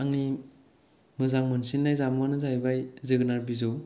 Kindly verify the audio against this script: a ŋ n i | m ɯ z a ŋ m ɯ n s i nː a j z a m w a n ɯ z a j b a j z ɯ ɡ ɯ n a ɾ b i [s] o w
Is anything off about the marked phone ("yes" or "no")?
yes